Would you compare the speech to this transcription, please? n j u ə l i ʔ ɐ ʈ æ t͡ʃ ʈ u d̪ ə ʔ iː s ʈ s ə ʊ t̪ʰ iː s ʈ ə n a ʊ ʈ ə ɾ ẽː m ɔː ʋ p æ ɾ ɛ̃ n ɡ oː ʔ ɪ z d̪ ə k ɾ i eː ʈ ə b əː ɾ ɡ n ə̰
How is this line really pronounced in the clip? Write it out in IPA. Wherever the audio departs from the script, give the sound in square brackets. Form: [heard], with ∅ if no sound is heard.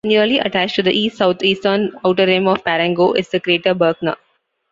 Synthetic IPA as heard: n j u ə l i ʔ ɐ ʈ æ t͡ʃ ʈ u d̪ ə ʔ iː s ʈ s [a] ʊ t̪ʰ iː s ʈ ə n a ʊ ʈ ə ɾ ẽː m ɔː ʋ p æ ɾ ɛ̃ [ŋ] ɡ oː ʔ ɪ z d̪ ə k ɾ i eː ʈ ə b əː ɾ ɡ n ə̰